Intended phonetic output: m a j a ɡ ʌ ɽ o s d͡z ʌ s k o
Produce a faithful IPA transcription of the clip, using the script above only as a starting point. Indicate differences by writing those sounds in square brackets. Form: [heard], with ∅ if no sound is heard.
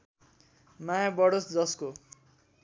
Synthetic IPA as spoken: m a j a [b] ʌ ɽ o s d͡z ʌ s k o

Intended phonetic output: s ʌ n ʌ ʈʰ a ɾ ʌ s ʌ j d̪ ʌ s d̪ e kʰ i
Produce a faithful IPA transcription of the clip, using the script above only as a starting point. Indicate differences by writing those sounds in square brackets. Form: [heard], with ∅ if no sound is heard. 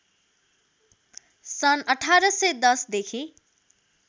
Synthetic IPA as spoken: s ʌ n ʌ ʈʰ a ɾ ʌ s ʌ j d̪ ʌ s d̪ e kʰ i

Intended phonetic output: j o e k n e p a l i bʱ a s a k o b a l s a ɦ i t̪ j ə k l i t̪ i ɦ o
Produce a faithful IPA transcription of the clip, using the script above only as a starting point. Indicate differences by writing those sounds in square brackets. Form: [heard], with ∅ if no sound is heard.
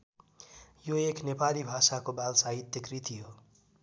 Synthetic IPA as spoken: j o e k n e p a l i bʱ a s a k o b a l s a ɦ i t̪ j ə k [ɾ] i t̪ i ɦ o

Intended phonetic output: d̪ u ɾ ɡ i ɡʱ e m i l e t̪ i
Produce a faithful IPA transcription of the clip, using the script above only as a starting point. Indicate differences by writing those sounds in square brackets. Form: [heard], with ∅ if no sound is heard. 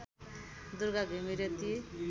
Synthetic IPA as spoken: d̪ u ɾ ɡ [a] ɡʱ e m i [ɾ] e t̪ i

